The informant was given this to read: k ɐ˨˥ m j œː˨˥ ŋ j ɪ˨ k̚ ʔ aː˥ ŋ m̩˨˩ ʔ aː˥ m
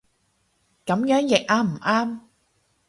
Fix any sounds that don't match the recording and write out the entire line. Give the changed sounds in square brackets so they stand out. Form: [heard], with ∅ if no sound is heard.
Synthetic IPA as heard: k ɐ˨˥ m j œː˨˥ ŋ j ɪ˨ k̚ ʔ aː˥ [∅] m̩˨˩ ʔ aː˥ m

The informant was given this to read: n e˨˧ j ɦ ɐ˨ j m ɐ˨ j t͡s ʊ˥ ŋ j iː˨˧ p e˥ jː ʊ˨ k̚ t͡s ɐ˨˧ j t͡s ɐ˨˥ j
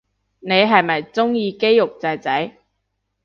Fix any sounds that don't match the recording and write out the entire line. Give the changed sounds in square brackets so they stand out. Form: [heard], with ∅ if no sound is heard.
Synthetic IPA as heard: n e˨˧ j ɦ ɐ˨ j m ɐ˨ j t͡s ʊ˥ ŋ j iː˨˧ [k] e˥ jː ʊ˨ k̚ t͡s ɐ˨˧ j t͡s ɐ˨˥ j

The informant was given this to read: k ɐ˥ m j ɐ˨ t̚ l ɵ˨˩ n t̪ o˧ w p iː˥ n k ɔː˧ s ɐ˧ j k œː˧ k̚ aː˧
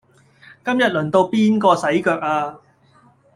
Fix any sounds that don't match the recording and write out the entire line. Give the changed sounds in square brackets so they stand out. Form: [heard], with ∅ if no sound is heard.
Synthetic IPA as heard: k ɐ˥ m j ɐ˨ t̚ l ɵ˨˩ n t̪ o˧ w p iː˥ n k ɔː˧ s [ɐ˨˥] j k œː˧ k̚ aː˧

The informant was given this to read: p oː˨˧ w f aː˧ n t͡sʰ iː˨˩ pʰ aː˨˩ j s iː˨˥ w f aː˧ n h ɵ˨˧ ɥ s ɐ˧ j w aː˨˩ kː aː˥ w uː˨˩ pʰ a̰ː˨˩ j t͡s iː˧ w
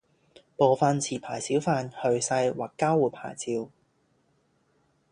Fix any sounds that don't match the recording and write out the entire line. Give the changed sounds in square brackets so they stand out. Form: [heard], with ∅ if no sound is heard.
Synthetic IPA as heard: p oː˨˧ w f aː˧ n t͡sʰ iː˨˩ pʰ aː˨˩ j s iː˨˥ w f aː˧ n h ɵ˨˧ ɥ s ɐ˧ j w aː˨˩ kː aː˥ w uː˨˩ pʰ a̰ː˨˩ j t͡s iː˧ w

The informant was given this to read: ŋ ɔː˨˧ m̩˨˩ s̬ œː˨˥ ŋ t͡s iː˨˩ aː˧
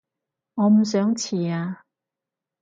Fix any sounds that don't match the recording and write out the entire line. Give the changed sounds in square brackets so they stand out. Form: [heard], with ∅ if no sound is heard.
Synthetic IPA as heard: ŋ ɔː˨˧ m̩˨˩ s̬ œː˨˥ ŋ [t͡sʰ] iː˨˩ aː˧

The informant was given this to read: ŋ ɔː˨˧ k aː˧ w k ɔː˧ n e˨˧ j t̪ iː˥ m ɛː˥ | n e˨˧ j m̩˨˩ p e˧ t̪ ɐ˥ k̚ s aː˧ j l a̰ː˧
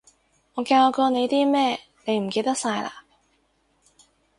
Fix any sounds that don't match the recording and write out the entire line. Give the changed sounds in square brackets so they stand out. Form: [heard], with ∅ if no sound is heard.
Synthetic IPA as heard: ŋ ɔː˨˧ k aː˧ w k ɔː˧ n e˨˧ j t̪ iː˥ m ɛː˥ | n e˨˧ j m̩˨˩ [k] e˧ t̪ ɐ˥ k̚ s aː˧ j l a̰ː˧

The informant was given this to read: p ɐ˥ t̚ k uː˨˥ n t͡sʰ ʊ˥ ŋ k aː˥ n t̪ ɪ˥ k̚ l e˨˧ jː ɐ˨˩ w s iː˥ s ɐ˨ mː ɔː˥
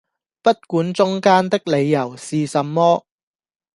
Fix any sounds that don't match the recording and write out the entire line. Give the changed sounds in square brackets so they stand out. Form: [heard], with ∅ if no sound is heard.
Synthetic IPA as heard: p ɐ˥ t̚ k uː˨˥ n [t͡s] ʊ˥ ŋ k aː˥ n t̪ ɪ˥ k̚ l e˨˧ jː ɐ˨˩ w s [iː˨] s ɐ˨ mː ɔː˥

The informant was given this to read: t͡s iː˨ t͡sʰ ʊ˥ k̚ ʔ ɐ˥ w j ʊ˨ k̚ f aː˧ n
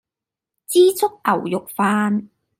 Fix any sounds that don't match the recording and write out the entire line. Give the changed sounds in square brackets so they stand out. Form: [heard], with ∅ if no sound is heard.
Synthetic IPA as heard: t͡s [iː˥] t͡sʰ ʊ˥ k̚ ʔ [ɐ˨˩] w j ʊ˨ k̚ f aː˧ n

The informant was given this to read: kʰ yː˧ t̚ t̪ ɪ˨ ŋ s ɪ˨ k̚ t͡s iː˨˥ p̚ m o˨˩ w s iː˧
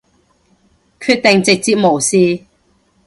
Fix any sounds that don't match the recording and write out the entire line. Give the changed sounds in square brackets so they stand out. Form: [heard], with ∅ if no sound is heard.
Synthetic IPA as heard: kʰ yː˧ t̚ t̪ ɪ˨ ŋ [t͡s] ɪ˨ k̚ t͡s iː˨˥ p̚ m o˨˩ w s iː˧

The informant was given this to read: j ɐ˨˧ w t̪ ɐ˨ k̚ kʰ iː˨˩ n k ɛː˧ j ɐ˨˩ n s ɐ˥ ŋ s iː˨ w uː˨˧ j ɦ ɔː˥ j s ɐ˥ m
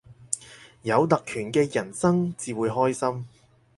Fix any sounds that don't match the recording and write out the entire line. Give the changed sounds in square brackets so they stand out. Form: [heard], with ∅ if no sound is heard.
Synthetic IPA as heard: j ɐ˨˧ w t̪ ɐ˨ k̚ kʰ [yː˨˩] n k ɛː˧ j ɐ˨˩ n s ɐ˥ ŋ [t͡s] iː˨ w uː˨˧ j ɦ ɔː˥ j s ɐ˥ m

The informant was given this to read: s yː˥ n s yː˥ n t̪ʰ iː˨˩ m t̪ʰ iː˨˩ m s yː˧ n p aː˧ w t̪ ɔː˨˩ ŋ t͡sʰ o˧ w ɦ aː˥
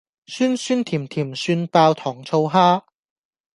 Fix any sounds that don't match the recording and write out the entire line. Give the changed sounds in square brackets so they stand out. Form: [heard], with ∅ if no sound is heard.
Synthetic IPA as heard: s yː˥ n s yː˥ n t̪ʰ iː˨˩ m t̪ʰ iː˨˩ m s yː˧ n p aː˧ w [t̪ʰ] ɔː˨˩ ŋ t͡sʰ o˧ w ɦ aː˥

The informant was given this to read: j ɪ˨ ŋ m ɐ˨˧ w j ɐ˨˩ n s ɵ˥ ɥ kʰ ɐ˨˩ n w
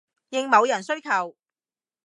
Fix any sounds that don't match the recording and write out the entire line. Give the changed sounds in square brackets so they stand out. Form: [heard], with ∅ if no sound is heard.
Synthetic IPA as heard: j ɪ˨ ŋ m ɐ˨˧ w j ɐ˨˩ n s ɵ˥ ɥ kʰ ɐ˨˩ [∅] w

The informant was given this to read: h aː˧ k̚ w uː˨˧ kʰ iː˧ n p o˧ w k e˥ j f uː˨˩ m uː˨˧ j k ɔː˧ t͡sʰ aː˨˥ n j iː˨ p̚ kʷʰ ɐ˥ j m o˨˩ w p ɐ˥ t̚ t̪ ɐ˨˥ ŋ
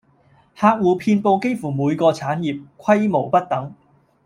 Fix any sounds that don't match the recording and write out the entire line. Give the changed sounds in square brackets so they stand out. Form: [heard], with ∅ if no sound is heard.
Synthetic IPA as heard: h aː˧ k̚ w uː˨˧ [pʰ] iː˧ n p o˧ w k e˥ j f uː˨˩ m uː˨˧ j k ɔː˧ t͡sʰ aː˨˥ n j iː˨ p̚ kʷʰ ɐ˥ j m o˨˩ w p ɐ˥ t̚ t̪ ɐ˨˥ ŋ

